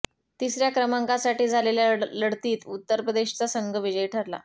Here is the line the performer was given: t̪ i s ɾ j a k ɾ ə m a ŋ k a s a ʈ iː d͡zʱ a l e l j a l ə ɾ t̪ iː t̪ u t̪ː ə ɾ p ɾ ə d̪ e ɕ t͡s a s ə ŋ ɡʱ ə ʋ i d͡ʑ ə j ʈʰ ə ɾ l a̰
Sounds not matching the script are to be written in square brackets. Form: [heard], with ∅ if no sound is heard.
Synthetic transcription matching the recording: t̪ i s ɾ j a k ɾ ə m a ŋ k a s a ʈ iː d͡zʱ a l e l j a l ə [ɽ] t̪ iː t̪ u t̪ː ə ɾ p ɾ ə d̪ e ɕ t͡s a s ə ŋ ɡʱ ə ʋ i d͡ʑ ə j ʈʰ ə ɾ l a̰

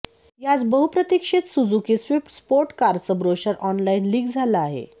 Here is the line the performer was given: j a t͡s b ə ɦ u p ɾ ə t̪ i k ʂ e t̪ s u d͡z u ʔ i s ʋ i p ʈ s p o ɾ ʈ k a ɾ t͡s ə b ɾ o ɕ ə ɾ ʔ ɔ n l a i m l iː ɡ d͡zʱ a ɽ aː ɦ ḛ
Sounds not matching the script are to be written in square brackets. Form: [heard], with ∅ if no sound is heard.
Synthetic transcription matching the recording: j a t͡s b ə ɦ u p ɾ ə t̪ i k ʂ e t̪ s u d͡z u [k] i s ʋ i p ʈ s p o ɾ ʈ k a ɾ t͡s ə b ɾ o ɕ ə ɾ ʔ ɔ n l a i [n] l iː ɡ d͡zʱ a [l] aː ɦ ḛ

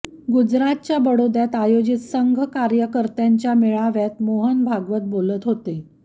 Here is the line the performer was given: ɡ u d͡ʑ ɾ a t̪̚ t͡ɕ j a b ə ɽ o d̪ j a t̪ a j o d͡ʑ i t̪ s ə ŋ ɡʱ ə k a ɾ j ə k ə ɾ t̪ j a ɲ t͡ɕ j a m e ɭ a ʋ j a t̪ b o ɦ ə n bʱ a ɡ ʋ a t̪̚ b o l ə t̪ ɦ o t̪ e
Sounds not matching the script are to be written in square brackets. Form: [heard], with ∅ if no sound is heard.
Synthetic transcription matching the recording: ɡ u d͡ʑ ɾ a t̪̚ t͡ɕ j a b ə ɽ o d̪ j a t̪ a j o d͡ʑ i t̪ s ə ŋ ɡʱ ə k a ɾ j ə k ə ɾ t̪ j a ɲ t͡ɕ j a m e ɭ a ʋ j a t̪ [m] o ɦ ə n bʱ a ɡ ʋ [ə] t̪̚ b o l ə t̪ ɦ o t̪ e

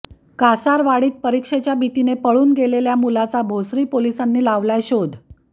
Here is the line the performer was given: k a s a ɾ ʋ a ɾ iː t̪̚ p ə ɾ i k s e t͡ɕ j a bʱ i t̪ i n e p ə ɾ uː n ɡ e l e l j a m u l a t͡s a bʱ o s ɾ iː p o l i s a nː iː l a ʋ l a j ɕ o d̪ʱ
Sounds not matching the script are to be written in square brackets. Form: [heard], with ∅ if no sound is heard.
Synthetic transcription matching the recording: k a s a ɾ ʋ a [ɽ] iː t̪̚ p ə ɾ i k [ʂ] e t͡ɕ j a bʱ i t̪ i n e p ə [ɭ] uː n ɡ e l e l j a m u l a t͡s a bʱ o s ɾ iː p o l i s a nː iː l a ʋ l a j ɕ o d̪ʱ

